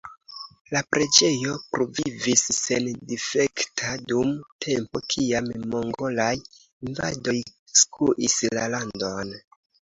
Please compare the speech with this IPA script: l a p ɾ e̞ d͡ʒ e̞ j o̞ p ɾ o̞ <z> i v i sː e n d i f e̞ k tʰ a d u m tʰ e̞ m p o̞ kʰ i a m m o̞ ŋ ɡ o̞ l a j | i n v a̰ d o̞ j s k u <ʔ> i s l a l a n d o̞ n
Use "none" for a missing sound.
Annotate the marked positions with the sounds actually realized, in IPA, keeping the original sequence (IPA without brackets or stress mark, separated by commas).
v, ʔ